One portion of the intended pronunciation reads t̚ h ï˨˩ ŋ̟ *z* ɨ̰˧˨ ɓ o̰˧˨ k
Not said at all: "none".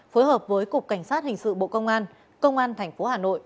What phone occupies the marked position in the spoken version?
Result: s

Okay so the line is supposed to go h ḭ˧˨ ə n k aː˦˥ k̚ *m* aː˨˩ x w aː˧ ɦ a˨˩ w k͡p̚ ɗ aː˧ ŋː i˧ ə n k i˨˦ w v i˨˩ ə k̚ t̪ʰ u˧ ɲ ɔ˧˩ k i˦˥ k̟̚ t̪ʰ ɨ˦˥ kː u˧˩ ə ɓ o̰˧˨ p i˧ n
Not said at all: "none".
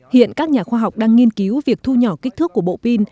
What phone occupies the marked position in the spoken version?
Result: ɲ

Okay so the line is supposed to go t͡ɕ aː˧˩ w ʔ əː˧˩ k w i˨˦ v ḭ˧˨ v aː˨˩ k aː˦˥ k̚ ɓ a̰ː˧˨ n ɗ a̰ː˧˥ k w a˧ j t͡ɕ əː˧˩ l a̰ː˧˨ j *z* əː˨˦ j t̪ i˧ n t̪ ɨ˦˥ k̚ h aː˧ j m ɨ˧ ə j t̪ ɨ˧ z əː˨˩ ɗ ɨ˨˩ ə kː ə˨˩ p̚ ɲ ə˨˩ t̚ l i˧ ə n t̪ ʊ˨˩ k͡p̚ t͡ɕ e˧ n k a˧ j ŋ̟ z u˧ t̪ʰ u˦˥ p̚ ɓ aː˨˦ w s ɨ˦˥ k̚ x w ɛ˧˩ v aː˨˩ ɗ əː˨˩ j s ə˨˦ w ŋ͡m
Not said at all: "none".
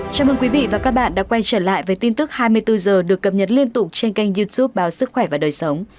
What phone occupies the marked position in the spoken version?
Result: v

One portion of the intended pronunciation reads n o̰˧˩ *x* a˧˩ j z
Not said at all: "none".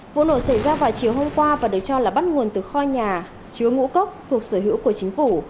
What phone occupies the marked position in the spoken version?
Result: s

